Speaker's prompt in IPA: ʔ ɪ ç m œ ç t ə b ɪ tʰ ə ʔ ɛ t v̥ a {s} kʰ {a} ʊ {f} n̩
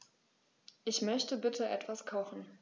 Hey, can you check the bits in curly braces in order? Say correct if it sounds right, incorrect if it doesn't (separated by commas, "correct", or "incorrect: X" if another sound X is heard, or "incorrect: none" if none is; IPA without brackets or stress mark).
correct, correct, incorrect: x